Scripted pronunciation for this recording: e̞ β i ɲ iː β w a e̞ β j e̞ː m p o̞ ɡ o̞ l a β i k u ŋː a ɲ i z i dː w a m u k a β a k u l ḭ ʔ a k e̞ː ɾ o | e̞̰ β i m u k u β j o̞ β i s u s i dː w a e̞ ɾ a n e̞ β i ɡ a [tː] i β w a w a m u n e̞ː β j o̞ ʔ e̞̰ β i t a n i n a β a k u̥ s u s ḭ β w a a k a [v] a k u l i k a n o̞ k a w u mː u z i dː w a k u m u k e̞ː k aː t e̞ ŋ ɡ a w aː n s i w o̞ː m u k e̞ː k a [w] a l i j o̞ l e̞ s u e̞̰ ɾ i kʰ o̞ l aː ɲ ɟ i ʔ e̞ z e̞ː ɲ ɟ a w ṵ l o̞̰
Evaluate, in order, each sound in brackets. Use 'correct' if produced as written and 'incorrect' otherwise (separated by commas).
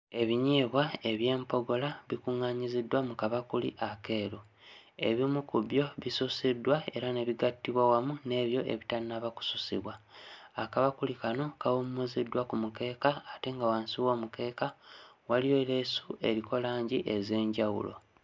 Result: correct, incorrect, correct